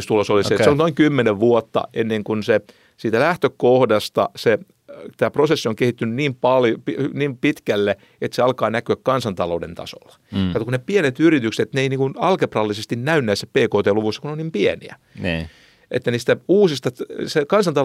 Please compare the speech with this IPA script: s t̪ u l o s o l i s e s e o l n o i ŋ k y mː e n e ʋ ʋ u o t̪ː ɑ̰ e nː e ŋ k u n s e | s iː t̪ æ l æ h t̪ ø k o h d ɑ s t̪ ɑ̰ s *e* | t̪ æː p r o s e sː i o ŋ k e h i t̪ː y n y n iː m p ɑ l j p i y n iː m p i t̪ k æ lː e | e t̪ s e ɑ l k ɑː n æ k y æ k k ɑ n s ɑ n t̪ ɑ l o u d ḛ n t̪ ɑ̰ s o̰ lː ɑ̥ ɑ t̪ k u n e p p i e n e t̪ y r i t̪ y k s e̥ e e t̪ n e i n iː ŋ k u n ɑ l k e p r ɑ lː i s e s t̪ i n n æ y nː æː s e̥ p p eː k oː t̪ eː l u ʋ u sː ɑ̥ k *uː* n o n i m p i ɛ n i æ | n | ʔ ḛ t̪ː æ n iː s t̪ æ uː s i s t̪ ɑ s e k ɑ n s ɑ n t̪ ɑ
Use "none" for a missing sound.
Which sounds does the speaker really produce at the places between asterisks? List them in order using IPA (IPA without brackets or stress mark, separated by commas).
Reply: e, u